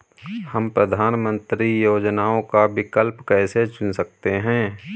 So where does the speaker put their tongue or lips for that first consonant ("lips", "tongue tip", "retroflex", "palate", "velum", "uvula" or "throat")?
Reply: throat